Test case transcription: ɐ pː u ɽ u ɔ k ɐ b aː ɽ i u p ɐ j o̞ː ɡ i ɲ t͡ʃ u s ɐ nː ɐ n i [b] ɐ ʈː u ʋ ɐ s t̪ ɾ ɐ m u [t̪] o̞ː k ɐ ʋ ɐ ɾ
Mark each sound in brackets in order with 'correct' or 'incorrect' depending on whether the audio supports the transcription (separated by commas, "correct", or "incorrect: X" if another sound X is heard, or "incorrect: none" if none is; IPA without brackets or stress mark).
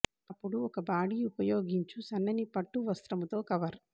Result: incorrect: p, correct